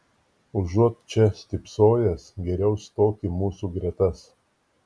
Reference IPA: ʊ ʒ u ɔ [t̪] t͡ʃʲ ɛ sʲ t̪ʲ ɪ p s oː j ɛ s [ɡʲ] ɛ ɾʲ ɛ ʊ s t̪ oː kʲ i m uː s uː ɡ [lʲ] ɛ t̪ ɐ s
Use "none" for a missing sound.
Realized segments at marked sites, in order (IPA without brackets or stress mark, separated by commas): t̪, ɡʲ, ɾʲ